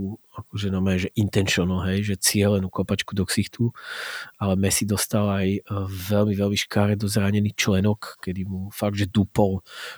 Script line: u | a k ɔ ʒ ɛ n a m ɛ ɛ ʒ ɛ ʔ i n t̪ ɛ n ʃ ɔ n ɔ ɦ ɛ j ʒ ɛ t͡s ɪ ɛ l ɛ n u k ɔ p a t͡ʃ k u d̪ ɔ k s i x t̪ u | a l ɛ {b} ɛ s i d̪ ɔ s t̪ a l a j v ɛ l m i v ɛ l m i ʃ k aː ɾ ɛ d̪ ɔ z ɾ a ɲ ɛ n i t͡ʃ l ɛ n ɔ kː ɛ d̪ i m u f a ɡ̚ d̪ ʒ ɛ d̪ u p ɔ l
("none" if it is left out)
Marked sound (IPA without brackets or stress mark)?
m